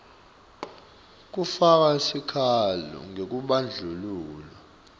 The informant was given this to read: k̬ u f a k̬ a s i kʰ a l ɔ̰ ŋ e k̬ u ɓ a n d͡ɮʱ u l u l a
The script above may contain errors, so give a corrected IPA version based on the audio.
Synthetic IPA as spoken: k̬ u f a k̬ a s i kʰ a l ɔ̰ ŋ e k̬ u ɓ a n d͡ɮʱ u l uː l a